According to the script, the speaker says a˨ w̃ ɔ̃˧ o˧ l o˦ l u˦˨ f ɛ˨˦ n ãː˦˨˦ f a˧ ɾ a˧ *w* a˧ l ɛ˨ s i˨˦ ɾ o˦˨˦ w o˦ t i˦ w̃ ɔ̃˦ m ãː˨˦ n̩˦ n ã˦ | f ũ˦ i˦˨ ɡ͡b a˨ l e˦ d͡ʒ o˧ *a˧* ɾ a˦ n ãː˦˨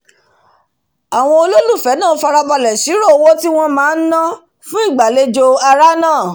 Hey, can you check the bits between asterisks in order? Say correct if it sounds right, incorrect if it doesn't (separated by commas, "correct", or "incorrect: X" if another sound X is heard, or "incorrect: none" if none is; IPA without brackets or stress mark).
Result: incorrect: b, correct